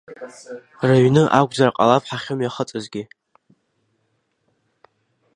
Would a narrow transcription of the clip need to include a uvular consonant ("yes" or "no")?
yes